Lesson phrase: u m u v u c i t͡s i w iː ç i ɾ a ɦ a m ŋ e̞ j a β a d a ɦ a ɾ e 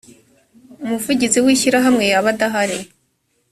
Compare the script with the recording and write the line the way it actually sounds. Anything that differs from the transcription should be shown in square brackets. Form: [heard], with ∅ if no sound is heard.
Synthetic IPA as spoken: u m u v u [ɟ] i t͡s i w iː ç i ɾ a ɦ a m ŋ e̞ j a β a d a ɦ a ɾ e